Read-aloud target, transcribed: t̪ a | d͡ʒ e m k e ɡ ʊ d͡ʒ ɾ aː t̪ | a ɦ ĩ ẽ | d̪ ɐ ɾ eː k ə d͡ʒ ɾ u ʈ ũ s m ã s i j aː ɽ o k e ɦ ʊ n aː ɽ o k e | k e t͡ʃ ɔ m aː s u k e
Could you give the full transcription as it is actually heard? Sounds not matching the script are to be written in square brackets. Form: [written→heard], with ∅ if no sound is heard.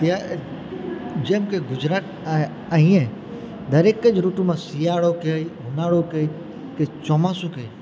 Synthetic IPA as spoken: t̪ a | d͡ʒ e m k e ɡ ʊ d͡ʒ ɾ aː t̪ | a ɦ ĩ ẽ | d̪ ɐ ɾ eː k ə d͡ʒ ɾ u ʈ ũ [s→∅] m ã s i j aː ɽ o k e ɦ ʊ n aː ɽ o k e | k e t͡ʃ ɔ m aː s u k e